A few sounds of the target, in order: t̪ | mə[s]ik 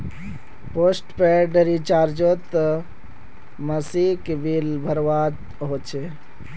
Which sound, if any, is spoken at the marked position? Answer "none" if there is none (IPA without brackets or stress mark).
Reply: s